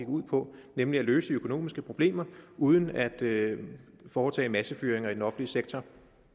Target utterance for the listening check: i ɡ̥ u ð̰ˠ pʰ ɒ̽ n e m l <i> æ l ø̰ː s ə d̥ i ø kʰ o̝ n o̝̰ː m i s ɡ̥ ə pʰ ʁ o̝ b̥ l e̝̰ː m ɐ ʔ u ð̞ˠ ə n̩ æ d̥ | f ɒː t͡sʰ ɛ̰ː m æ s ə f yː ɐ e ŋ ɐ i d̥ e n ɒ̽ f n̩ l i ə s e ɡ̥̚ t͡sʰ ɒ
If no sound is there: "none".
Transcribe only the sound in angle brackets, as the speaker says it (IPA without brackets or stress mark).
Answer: i